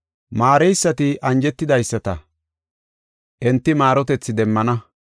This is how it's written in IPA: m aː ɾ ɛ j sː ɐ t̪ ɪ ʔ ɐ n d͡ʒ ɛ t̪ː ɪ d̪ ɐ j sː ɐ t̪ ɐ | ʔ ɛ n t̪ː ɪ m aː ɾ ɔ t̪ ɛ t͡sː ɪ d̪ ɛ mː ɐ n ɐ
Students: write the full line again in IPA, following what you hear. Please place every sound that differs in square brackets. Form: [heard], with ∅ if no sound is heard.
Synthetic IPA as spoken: m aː ɾ ɛ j sː ɐ t̪ ɪ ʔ ɐ n d͡ʒ ɛ t̪ː ɪ d̪ ɐ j sː ɐ t̪ ɐ | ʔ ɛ n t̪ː ɪ m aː ɾ ɔ t̪ ɛ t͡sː ɪ d̪ ɛ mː ɐ n ɐ